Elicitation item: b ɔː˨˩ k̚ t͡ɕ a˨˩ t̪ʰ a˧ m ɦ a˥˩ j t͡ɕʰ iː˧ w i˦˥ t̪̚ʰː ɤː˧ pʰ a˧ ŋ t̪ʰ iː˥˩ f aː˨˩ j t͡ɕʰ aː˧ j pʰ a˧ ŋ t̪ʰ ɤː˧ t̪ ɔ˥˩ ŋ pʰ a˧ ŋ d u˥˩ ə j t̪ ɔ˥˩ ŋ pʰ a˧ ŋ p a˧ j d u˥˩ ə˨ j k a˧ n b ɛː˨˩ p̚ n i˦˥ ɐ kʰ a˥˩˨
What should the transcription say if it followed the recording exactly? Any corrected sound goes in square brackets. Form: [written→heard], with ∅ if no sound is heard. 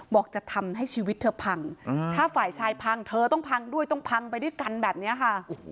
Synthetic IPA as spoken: b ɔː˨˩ k̚ t͡ɕ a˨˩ t̪ʰ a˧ m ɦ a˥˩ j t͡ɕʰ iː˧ w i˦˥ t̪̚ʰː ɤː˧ pʰ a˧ ŋ t̪ʰ [iː˥˩→aː˥˩] f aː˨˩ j t͡ɕʰ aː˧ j pʰ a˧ ŋ t̪ʰ ɤː˧ t̪ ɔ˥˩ ŋ pʰ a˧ ŋ d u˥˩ ə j t̪ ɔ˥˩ ŋ pʰ a˧ ŋ p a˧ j d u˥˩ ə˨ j k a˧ n b ɛː˨˩ p̚ n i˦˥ ɐ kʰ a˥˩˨